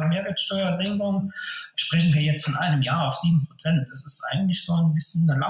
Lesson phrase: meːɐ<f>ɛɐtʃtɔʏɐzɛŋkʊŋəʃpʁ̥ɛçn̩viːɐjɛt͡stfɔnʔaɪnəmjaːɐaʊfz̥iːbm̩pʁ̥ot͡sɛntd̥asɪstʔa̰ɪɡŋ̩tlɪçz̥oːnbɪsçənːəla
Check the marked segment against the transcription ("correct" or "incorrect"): incorrect